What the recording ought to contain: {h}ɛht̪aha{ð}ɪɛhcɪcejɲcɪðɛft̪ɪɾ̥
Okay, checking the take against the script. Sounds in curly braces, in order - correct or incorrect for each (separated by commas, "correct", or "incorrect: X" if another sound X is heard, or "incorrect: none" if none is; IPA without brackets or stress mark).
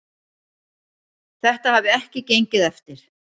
incorrect: θ, incorrect: v